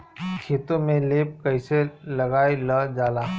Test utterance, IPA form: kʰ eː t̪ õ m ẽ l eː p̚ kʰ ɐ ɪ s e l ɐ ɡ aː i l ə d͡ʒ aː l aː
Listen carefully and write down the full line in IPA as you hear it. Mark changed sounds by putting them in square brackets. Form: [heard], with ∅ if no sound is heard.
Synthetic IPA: kʰ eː t̪ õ m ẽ l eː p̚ [k] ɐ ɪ s e l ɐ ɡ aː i l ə d͡ʒ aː l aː